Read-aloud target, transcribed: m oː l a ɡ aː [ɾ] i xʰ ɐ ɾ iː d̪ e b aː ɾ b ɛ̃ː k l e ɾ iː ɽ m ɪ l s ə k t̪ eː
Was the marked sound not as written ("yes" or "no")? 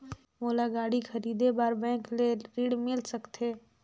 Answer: yes